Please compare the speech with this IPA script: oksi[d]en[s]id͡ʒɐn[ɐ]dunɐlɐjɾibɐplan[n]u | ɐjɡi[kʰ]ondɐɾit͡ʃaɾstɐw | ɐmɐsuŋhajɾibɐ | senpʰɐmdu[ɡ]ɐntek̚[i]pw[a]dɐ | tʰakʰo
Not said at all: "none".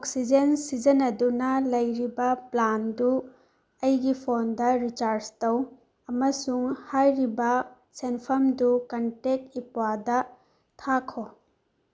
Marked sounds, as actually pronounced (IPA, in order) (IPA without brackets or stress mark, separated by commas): d͡ʒ, s, ɐ, d, pʰ, k, i, a